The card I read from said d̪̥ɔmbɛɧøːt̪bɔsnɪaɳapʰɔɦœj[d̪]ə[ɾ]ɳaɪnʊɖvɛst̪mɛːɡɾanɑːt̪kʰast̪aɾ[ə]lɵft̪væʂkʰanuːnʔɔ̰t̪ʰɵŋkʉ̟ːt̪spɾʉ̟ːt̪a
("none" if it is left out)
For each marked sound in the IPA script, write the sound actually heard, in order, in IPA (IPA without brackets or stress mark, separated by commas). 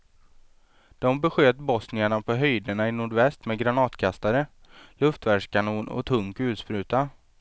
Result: d̪, none, ə